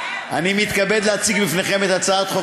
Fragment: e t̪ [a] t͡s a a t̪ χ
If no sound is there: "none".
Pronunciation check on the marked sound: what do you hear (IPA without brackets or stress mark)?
a